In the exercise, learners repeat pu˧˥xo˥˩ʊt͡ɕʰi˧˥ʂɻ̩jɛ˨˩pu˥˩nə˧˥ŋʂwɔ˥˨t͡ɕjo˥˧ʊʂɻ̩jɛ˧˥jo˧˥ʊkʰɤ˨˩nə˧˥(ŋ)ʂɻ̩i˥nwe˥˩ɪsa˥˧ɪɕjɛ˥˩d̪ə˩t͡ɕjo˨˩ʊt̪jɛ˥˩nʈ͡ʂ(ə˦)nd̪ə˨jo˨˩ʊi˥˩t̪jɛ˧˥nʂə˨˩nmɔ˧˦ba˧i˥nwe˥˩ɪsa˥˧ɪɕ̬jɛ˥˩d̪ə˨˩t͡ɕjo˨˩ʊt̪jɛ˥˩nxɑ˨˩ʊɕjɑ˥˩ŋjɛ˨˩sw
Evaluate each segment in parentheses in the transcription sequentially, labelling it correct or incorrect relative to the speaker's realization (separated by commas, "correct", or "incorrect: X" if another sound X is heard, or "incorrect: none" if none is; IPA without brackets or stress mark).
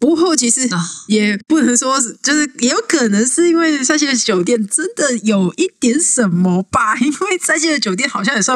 correct, correct